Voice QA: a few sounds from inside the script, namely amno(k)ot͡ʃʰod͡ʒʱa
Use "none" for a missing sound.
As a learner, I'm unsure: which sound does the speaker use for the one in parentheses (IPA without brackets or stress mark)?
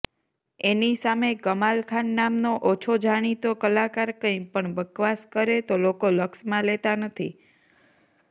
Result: ʔ